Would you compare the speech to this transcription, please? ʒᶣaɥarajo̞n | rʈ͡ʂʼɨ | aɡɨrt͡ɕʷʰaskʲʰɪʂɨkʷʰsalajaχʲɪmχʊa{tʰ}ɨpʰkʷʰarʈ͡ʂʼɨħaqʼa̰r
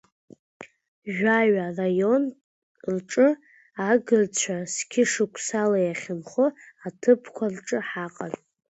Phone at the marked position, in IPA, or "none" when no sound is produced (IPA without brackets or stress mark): tʰ